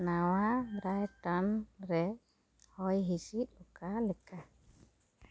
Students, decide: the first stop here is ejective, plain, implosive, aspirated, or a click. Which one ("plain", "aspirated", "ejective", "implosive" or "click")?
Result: plain